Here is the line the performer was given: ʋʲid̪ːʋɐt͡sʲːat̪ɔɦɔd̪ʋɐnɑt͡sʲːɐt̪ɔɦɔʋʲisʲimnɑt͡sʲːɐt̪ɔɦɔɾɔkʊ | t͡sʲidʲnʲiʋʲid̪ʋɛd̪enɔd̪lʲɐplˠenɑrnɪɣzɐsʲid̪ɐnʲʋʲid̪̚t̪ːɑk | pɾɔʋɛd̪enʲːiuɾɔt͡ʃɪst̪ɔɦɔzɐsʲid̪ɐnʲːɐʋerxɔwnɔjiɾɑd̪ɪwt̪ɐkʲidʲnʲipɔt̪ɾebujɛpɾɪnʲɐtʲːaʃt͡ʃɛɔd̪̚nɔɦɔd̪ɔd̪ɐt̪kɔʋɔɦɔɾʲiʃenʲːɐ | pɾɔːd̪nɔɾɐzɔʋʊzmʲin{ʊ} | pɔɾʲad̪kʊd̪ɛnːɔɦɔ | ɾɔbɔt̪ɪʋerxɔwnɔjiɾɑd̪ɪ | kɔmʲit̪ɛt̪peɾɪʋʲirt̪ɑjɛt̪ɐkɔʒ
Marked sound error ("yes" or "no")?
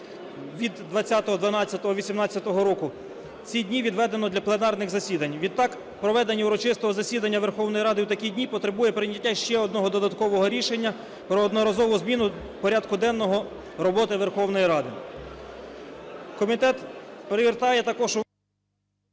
no